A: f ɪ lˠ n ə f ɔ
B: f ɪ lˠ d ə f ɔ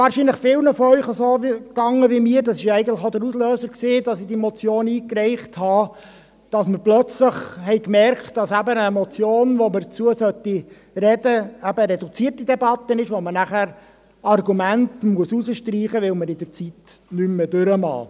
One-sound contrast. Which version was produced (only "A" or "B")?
A